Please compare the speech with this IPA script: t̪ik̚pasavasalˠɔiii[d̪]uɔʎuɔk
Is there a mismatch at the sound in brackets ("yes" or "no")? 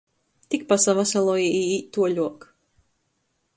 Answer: yes